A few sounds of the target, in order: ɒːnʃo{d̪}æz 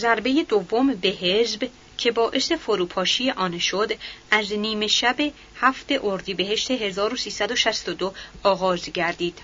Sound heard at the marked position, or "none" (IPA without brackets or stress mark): d̪